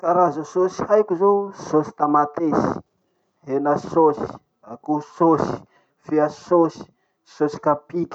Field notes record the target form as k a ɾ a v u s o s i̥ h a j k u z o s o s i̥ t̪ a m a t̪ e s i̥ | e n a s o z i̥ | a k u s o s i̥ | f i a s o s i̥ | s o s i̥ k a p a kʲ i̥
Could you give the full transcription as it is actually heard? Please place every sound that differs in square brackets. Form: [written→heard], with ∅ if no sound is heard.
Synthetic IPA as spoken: k a ɾ a [v→z] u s o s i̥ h a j k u z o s o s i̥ t̪ a m a t̪ e s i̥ | e n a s o [z→s] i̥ | a k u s o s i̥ | f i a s o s i̥ | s o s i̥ k a p [a→i] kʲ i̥